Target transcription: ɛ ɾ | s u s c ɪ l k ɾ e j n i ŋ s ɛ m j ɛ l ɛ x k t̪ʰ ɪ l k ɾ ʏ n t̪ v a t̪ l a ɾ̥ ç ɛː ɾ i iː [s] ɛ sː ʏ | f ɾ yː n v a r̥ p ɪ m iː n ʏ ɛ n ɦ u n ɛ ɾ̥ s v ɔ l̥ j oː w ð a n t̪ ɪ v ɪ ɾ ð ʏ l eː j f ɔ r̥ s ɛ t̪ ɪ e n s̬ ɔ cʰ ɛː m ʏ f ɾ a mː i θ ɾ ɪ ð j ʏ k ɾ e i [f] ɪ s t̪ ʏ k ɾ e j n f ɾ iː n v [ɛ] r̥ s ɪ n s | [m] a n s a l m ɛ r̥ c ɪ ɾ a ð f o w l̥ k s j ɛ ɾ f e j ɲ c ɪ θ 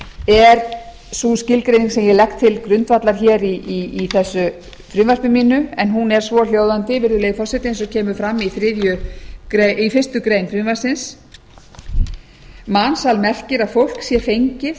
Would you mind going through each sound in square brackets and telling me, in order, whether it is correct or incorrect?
incorrect, correct, incorrect, correct

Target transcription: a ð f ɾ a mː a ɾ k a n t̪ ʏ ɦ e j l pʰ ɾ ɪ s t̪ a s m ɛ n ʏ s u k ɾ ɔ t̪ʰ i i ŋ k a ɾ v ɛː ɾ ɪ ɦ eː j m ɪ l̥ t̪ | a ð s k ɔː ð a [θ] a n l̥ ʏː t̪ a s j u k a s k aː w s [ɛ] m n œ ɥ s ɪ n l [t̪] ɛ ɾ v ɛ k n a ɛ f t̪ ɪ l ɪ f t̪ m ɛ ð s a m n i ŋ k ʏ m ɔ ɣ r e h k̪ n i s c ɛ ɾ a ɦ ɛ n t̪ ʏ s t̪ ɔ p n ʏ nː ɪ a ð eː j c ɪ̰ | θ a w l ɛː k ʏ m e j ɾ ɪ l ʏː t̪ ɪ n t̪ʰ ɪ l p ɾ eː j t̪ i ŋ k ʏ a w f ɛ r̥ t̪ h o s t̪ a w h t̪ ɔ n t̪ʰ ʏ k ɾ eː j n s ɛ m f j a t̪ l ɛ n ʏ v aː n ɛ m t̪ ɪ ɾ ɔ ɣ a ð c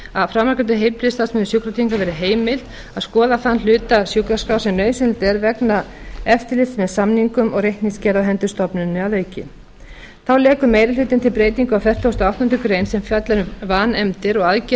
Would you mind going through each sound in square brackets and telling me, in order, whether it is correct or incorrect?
correct, correct, correct

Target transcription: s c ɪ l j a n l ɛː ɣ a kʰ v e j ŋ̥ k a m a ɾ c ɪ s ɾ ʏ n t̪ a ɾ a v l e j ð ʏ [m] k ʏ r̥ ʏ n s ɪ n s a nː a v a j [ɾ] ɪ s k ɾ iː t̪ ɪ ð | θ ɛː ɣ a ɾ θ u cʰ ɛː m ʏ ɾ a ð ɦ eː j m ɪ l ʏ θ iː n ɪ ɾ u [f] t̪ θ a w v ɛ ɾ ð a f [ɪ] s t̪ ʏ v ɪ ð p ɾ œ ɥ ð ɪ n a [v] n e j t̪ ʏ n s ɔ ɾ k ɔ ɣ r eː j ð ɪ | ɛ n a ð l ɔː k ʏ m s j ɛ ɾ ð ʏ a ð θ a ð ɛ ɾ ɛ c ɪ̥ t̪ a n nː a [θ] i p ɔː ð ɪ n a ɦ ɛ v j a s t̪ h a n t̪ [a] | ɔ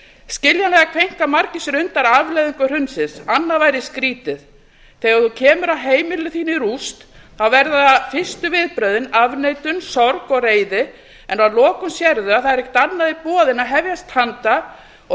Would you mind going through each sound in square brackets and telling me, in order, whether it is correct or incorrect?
incorrect, correct, incorrect, correct, correct, incorrect, correct

